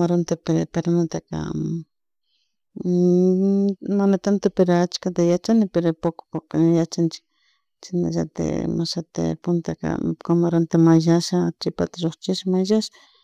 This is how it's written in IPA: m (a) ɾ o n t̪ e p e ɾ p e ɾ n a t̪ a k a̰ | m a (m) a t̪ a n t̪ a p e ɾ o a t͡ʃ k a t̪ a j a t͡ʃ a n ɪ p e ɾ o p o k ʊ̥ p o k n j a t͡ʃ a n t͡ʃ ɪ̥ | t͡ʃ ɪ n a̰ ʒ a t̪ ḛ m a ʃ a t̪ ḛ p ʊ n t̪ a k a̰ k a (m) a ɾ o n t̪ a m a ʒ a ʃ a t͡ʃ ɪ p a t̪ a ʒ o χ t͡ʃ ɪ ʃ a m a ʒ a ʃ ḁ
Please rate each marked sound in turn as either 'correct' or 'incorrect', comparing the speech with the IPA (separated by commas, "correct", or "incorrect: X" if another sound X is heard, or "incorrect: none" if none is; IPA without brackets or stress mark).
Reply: correct, incorrect: n, correct